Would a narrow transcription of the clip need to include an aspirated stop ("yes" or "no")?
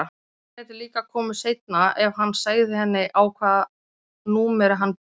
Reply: yes